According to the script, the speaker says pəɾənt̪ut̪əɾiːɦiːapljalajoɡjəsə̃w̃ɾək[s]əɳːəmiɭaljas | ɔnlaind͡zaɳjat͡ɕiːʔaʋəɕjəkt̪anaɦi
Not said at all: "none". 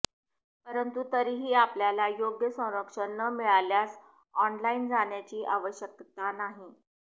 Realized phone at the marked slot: ʂ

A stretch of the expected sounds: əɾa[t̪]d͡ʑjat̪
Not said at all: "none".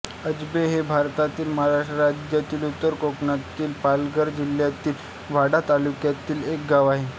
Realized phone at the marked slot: none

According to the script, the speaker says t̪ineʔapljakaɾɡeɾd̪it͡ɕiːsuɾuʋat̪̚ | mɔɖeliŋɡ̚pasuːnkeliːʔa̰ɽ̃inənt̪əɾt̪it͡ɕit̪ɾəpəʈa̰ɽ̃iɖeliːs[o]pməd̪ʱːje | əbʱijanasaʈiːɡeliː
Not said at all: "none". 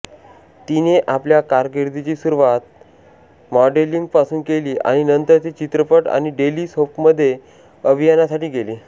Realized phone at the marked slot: o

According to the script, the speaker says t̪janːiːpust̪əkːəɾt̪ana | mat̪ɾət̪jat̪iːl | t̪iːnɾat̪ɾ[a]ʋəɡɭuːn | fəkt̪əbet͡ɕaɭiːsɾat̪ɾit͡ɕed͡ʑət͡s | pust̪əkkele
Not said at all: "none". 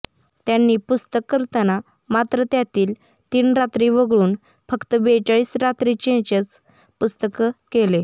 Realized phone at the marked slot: i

